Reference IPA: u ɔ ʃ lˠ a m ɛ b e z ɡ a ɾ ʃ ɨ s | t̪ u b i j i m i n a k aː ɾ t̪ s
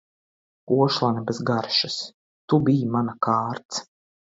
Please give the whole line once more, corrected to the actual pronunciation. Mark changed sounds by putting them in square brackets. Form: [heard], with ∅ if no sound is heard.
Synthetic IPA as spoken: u ɔ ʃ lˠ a [n] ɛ b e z ɡ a ɾ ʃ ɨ s | t̪ u b i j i m [a] n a k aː ɾ t̪ s